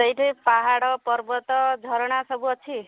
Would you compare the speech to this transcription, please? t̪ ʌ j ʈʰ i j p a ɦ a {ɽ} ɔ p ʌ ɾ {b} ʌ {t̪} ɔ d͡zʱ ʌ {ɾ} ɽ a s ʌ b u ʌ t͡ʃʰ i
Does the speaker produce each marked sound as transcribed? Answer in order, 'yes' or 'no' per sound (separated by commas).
yes, yes, yes, yes